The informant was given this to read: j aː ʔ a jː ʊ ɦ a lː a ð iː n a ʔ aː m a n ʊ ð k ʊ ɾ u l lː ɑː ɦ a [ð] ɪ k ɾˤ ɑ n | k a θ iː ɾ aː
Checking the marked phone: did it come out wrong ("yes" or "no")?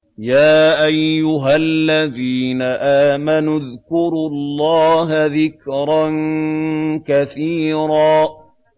no